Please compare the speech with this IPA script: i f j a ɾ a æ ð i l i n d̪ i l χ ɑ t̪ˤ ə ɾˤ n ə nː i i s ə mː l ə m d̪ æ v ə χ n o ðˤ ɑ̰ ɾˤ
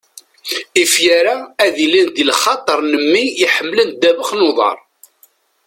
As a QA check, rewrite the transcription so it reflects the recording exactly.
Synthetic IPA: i f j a ɾ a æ ð i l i n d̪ i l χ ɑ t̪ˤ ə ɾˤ n ə mː i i ħ ə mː l ə n d̪ æ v ə χ n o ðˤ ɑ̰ ɾˤ